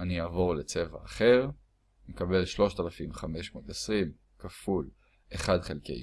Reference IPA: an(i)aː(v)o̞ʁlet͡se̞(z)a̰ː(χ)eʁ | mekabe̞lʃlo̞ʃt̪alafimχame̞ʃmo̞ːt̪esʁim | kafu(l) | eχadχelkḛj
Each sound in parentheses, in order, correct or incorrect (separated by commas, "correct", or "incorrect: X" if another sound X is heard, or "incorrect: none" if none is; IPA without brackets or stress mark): correct, correct, incorrect: v, correct, correct